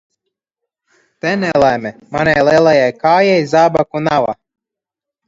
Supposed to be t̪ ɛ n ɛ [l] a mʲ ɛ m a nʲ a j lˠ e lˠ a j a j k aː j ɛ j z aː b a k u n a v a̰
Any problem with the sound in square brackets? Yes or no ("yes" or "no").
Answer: no